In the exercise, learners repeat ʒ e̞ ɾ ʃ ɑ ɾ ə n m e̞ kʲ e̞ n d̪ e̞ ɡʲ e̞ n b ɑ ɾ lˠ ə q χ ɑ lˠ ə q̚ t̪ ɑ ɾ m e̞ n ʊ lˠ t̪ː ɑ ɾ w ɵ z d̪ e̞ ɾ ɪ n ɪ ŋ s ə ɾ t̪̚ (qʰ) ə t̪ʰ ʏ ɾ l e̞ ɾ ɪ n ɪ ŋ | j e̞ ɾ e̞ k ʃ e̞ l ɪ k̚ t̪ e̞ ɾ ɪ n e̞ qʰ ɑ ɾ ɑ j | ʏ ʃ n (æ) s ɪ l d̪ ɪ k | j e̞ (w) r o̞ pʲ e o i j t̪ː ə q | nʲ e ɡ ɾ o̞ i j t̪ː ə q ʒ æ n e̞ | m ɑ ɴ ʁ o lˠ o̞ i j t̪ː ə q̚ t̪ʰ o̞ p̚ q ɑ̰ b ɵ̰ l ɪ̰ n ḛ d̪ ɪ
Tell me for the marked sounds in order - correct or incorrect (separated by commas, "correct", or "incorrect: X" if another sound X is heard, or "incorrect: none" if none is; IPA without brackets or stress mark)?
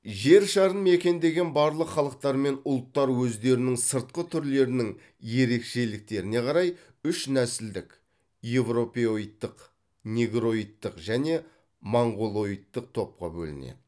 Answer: incorrect: q, correct, incorrect: v